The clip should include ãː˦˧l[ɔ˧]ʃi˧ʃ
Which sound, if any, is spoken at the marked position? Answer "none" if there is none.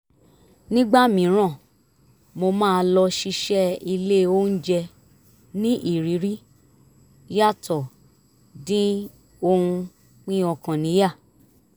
ɔ˧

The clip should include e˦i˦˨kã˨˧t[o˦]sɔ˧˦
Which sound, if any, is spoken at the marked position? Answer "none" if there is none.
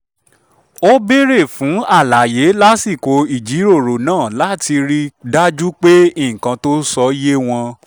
o˦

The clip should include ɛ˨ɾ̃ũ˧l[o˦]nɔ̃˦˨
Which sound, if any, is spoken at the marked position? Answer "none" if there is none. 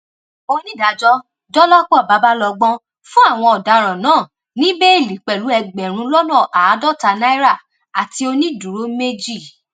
ɔ˦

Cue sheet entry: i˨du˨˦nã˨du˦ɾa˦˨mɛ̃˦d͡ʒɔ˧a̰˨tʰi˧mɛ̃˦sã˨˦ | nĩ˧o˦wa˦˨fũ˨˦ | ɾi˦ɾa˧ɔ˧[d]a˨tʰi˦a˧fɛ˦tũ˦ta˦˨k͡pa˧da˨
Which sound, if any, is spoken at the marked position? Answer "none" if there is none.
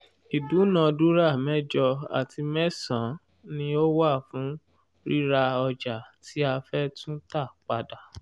d͡ʒ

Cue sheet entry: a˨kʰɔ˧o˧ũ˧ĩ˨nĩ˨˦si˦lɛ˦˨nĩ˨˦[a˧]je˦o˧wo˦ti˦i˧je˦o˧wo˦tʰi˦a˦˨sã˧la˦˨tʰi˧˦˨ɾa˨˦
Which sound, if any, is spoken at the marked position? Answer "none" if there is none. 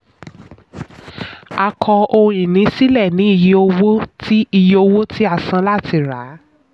i˧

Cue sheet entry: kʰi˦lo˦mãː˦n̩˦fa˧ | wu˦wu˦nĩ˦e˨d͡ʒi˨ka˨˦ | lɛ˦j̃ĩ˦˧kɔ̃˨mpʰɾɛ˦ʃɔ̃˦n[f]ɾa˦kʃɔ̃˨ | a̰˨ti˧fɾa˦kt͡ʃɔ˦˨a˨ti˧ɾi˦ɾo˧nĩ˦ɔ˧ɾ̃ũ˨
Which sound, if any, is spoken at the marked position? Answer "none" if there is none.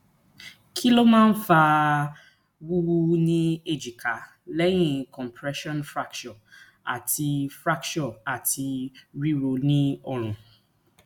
f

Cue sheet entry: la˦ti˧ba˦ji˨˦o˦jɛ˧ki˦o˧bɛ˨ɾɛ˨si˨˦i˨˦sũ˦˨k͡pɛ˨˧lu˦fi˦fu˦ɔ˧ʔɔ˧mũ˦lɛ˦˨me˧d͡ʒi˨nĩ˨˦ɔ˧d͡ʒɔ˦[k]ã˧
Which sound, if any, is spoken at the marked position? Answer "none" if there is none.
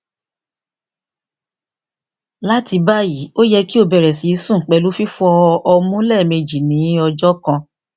k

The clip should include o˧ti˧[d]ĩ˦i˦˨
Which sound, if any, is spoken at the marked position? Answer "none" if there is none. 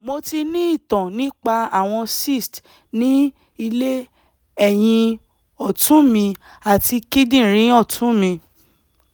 n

